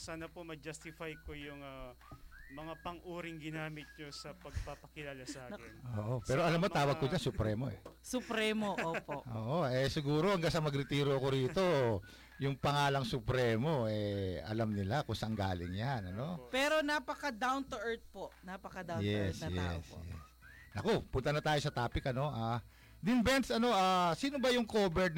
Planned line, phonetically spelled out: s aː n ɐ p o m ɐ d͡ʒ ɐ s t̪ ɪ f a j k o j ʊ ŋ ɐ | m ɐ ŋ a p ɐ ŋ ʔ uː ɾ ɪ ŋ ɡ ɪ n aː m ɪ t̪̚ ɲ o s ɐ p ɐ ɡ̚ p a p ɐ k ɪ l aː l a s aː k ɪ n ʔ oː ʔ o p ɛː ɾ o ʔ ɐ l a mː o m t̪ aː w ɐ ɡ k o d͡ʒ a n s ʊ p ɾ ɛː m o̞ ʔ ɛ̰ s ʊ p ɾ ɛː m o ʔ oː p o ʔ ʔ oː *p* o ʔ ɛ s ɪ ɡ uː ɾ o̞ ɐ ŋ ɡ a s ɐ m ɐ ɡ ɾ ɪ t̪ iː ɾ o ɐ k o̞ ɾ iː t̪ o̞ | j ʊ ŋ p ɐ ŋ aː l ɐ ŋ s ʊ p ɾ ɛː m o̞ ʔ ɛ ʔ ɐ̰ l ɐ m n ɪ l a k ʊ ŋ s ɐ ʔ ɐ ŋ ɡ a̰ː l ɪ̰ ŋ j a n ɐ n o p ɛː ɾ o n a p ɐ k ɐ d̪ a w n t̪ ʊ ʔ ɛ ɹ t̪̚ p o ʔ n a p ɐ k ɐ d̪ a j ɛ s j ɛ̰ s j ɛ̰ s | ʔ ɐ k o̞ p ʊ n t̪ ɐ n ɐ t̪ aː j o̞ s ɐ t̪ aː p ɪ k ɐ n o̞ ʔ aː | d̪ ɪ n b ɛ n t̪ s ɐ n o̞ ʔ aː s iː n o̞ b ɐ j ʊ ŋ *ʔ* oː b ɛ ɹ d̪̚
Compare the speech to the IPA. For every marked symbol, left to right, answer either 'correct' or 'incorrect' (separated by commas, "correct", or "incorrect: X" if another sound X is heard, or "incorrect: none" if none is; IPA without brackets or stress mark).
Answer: incorrect: ʔ, incorrect: k